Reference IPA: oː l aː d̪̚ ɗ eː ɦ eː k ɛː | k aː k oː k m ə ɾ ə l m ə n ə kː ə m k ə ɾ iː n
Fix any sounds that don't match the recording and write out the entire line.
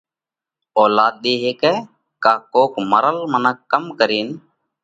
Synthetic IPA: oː l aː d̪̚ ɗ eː ɦ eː k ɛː | k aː k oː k m ə ɾ ə l m ə n ə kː ə m k ə ɾ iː n